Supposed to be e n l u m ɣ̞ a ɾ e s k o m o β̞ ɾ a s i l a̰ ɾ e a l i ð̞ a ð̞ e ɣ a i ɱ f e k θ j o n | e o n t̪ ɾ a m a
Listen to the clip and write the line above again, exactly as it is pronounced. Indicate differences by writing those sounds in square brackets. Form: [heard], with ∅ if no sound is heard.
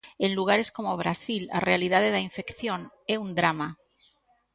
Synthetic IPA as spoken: e n l u [∅] ɣ̞ a ɾ e s k o m o β̞ ɾ a s i l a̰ [r] e a l i ð̞ a ð̞ e [ð] a i ɱ f e k θ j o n | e [u] n [d̪] ɾ a m a

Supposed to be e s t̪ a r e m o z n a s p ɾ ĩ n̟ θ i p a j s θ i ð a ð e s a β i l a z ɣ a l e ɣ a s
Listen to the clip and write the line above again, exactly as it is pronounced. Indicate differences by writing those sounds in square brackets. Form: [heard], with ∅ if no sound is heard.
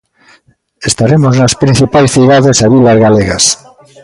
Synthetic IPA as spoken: e s t̪ a [ɾ] e m o z n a s p ɾ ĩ n̟ θ i p a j s θ i ð a ð e s a β i l a z ɣ a l e ɣ a s

